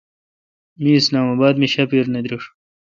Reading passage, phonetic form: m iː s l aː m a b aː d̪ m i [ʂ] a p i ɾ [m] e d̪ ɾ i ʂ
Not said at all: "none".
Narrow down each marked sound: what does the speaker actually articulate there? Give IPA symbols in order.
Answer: ɕ, n

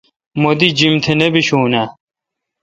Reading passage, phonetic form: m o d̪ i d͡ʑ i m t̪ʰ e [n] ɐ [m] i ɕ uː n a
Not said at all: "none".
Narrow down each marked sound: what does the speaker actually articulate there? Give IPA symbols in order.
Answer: n, b

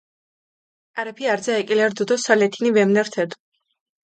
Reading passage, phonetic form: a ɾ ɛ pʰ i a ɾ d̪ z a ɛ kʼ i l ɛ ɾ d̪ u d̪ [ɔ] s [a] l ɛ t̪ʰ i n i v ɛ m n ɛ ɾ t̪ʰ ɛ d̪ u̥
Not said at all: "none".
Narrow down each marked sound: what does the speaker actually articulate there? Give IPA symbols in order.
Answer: ɔ, a

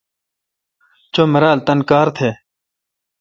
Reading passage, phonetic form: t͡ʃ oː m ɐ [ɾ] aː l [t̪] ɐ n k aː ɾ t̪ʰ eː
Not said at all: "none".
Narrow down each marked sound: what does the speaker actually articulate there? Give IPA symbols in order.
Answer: ɾ, t̪

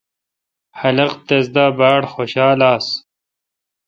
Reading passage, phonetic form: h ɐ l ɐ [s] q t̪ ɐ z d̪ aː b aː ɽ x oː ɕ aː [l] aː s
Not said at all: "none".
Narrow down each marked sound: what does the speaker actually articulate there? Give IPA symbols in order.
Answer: none, l

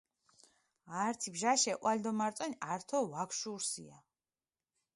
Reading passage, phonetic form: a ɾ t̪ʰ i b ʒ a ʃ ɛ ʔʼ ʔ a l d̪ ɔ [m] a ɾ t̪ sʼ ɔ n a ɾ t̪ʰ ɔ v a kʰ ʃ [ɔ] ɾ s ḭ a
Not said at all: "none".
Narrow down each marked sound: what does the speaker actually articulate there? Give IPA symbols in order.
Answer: m, u

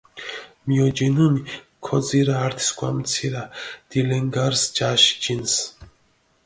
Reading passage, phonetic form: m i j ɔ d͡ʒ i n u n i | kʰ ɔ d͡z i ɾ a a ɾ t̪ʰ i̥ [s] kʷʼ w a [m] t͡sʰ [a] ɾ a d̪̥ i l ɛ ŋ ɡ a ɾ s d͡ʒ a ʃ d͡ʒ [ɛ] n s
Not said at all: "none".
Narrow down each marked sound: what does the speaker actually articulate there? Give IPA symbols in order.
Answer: s, m, i, i

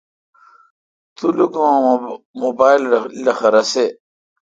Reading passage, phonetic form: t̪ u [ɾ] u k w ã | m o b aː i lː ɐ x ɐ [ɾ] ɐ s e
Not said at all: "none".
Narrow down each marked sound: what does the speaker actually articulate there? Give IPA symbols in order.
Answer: l, ɾ

